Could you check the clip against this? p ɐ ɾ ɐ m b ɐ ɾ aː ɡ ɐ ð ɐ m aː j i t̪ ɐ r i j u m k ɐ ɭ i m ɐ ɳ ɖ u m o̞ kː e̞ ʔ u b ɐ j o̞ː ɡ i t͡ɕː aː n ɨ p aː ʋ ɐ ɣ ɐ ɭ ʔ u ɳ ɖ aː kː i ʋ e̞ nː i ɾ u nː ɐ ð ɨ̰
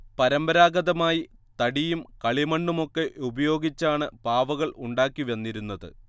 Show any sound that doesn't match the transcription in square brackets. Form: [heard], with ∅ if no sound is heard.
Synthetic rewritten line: p ɐ ɾ ɐ m b ɐ ɾ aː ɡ ɐ ð ɐ m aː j i t̪ ɐ [ɽ] i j u m k ɐ ɭ i m ɐ ɳ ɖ u m o̞ kː e̞ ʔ u b ɐ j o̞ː ɡ i t͡ɕː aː [ɳ] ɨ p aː ʋ ɐ ɣ ɐ ɭ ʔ u ɳ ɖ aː kː i ʋ e̞ nː i ɾ u nː ɐ ð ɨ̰